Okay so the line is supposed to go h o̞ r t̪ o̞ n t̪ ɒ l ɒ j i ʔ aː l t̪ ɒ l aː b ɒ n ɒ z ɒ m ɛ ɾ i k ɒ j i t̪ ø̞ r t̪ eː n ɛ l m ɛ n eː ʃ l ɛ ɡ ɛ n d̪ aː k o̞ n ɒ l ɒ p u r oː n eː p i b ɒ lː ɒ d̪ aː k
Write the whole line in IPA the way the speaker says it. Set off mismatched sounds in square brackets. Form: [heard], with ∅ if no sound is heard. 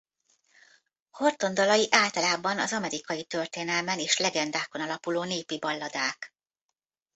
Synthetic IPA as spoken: h o̞ r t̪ o̞ n [d̪] ɒ l ɒ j i ʔ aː l t̪ ɒ l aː b ɒ n ɒ z ɒ m ɛ ɾ i k ɒ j i t̪ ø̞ r t̪ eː n ɛ l m ɛ n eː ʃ l ɛ ɡ ɛ n d̪ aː k o̞ n ɒ l ɒ p u [l] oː n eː p i b ɒ lː ɒ d̪ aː k